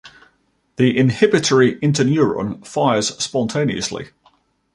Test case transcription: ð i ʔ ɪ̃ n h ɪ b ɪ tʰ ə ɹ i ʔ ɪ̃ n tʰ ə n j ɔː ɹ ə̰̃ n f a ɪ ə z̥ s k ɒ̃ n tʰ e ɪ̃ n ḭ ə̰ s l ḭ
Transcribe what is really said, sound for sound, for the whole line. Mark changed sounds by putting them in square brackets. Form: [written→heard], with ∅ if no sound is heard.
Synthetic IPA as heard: ð i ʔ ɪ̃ n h ɪ b ɪ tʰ ə ɹ i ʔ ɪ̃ n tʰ ə n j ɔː ɹ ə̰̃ n f a ɪ ə z̥ s [k→p] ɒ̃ n tʰ e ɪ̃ n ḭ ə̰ s l ḭ